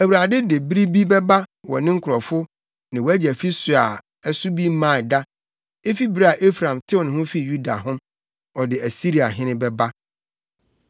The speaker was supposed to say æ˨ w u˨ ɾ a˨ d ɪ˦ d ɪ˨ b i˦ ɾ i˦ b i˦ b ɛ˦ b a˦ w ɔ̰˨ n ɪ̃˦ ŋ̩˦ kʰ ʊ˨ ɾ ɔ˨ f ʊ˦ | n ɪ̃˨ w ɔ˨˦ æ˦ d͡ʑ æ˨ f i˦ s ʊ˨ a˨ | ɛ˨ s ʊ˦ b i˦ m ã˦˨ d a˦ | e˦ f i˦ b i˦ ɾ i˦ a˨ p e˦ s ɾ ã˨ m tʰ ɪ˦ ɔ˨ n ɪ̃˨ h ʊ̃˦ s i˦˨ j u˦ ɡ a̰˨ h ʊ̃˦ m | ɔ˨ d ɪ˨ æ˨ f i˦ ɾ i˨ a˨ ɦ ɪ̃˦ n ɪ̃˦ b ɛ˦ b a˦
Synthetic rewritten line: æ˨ w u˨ ɾ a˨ d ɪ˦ d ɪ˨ b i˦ ɾ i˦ b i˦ b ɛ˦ b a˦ w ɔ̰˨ n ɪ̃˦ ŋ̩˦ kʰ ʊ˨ ɾ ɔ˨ f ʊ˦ | n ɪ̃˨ w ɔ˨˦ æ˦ d͡ʑ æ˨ f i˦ s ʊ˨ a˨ | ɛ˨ s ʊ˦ b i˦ m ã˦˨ d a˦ | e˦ f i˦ b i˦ ɾ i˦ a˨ ʔ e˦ f ɾ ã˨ m tʰ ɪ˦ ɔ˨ n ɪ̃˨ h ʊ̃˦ f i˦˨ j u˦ d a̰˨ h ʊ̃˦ m | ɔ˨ d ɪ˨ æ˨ s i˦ ɾ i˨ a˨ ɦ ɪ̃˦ n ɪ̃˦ b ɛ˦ b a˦